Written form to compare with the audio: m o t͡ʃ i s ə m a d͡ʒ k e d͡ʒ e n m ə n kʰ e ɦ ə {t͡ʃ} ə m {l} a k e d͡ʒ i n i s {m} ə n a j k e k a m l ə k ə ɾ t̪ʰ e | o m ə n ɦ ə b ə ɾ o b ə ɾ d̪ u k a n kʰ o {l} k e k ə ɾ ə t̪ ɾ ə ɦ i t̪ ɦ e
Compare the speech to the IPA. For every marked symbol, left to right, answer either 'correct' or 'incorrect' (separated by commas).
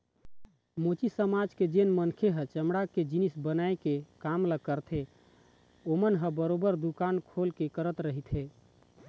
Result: correct, incorrect, incorrect, correct